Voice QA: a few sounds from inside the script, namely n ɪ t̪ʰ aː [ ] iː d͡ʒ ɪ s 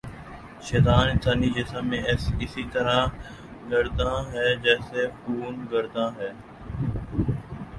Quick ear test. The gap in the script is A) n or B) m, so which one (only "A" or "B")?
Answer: A